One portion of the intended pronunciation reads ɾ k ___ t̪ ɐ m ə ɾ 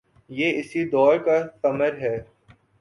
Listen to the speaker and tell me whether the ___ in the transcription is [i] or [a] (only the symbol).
a